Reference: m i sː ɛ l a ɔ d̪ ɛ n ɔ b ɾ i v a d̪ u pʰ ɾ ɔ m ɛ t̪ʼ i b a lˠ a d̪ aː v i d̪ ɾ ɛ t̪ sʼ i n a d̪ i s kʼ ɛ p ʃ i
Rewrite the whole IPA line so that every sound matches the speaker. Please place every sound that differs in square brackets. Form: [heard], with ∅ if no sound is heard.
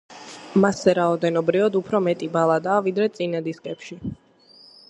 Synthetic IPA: m [a] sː ɛ [ɾ] a ɔ d̪ ɛ n ɔ b ɾ i v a d̪ u pʰ ɾ ɔ m ɛ t̪ʼ i b a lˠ a d̪ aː v i d̪ ɾ ɛ t̪ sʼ i n a d̪ i s kʼ ɛ p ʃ i

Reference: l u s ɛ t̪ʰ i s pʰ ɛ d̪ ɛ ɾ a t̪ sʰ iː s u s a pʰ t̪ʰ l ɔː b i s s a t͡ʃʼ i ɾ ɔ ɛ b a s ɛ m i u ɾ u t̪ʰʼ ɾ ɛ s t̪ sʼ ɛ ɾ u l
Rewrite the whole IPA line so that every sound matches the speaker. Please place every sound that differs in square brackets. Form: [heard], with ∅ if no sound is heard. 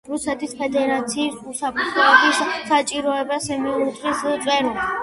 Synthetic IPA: [ɾ] u s ɛ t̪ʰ i s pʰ ɛ d̪ ɛ ɾ a t̪ sʰ iː s u s a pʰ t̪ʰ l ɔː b i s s a t͡ʃʼ i ɾ ɔ ɛ b a s ɛ m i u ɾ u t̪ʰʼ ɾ [i] s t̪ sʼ ɛ ɾ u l

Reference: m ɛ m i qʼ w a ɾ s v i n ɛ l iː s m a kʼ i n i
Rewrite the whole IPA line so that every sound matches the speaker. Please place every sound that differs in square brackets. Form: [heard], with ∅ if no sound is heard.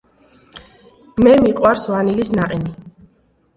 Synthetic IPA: m ɛ m i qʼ w a ɾ s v [a] n [i] l [i] s [n] a [qʼ] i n i

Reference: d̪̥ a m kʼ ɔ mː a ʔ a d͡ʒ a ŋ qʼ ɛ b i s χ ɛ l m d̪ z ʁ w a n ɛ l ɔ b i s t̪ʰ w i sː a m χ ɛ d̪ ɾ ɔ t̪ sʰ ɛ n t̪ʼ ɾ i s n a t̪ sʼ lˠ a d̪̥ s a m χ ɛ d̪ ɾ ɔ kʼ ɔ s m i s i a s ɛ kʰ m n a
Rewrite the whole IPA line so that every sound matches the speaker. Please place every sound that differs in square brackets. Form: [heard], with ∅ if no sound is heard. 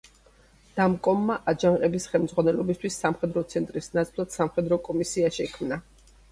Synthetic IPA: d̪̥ a m kʼ ɔ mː a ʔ a d͡ʒ a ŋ qʼ ɛ b i s χ ɛ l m d̪ z ʁ w a n ɛ l ɔ b i s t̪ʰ w i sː a m χ ɛ d̪ ɾ ɔ t̪ sʰ ɛ n t̪ʼ ɾ i s n a t̪ sʼ lˠ a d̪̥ s a m χ ɛ d̪ ɾ ɔ kʼ ɔ [∅] m i s i a [ʃ] ɛ kʰ m n a

